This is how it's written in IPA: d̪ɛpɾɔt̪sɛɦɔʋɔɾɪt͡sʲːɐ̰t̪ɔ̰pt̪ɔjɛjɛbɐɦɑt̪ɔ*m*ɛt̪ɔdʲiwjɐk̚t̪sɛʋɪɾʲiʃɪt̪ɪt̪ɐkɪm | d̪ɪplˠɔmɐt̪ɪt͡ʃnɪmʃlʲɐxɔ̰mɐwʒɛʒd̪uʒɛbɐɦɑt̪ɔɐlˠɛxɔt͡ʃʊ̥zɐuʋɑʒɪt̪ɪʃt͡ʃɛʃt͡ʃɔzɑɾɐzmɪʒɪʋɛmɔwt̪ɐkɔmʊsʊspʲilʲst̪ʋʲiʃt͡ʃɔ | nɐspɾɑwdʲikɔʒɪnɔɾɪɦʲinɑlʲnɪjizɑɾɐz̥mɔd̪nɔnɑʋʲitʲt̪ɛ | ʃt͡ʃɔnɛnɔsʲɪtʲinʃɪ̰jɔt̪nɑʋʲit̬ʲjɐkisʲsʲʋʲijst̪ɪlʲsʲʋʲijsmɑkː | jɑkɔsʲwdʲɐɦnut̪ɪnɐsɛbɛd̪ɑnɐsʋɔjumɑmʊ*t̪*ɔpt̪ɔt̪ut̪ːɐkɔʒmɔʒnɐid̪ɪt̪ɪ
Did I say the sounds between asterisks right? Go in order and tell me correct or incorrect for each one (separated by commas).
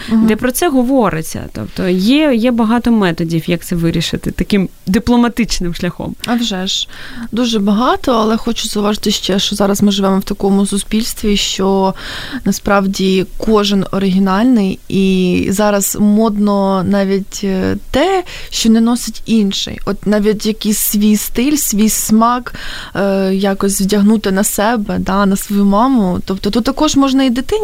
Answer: correct, correct